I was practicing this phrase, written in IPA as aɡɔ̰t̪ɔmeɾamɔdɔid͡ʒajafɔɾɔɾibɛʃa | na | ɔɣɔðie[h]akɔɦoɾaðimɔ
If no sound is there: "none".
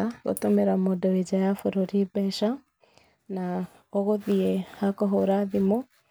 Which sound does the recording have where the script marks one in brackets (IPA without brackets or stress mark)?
h